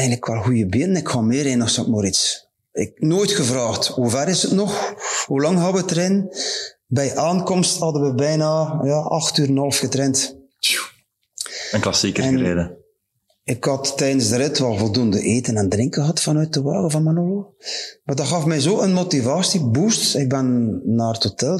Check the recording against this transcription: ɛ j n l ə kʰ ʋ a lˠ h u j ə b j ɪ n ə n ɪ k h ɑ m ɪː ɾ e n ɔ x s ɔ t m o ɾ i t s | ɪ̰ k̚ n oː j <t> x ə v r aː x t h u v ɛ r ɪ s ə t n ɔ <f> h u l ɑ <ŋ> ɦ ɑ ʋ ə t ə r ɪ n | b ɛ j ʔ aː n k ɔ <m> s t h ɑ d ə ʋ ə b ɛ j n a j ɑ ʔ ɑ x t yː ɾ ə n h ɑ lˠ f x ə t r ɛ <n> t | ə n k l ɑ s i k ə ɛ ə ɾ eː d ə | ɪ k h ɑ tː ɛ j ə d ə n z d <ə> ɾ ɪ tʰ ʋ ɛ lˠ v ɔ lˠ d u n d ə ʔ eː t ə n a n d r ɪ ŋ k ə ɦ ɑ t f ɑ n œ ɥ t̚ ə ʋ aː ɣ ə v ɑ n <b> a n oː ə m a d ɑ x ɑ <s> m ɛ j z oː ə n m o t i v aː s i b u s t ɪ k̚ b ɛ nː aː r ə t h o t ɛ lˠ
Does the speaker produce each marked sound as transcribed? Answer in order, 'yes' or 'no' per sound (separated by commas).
yes, no, yes, yes, yes, yes, no, no